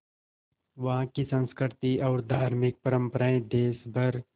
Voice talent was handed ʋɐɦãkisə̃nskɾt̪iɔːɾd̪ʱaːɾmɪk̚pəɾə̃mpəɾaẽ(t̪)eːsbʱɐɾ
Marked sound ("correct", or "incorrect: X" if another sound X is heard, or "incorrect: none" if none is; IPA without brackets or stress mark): incorrect: d̪